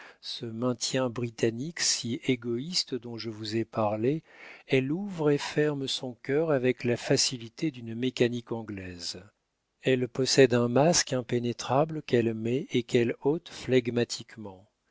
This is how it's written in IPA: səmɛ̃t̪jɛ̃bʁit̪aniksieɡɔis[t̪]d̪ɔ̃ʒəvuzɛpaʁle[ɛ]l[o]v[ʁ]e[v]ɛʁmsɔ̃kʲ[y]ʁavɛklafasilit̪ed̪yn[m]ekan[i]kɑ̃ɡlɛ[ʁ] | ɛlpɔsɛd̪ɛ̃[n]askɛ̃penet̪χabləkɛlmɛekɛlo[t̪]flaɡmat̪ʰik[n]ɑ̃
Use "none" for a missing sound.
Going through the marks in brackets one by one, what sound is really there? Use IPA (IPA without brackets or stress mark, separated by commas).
t̪, ɛ, u, ʁ, f, œ, m, i, z, m, t̪, m